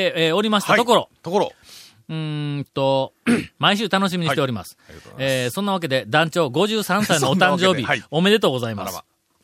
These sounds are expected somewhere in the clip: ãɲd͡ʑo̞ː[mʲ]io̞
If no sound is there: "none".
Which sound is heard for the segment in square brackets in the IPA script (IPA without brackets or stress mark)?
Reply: bʲ